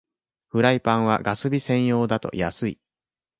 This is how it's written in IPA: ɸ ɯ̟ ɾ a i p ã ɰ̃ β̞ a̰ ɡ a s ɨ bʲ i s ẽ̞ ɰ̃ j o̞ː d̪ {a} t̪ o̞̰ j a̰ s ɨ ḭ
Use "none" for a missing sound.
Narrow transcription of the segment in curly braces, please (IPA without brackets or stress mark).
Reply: a